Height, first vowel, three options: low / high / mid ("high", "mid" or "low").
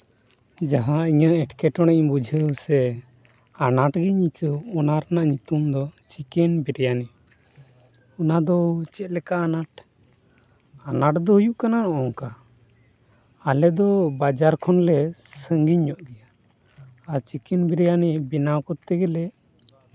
low